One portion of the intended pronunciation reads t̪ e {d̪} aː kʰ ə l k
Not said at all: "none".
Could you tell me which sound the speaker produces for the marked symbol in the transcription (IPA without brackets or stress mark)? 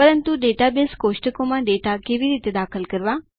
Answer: d̪